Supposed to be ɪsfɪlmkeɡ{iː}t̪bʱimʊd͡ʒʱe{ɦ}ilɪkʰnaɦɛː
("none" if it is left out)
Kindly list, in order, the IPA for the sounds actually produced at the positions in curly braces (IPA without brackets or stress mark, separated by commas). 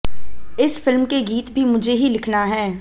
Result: iː, ɦ